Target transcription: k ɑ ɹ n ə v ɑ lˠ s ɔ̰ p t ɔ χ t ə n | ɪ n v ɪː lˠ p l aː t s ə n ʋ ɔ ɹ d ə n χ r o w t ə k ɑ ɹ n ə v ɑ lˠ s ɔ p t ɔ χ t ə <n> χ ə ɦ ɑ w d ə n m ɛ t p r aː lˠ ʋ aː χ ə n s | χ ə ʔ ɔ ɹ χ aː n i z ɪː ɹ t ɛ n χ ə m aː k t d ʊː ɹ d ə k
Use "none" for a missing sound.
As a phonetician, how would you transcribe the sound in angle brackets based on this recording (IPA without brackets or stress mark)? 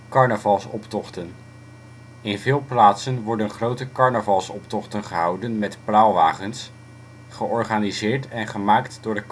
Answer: n